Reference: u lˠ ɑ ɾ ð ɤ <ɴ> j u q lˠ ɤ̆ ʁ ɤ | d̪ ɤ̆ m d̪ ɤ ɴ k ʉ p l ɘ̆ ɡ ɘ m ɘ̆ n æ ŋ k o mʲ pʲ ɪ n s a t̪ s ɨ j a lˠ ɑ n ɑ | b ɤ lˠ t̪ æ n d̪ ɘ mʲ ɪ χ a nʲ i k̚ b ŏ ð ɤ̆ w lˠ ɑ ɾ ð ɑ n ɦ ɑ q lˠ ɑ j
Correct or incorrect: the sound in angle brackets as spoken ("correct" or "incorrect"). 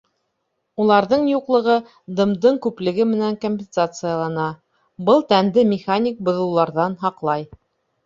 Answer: correct